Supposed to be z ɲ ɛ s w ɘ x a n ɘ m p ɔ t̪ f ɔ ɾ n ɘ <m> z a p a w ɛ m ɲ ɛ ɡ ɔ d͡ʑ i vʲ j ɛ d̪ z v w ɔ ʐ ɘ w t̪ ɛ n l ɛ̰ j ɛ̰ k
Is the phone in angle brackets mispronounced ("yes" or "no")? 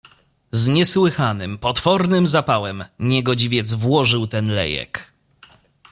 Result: no